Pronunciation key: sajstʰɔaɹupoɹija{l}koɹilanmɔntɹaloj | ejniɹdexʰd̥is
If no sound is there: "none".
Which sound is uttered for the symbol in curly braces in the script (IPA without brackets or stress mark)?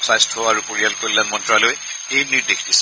l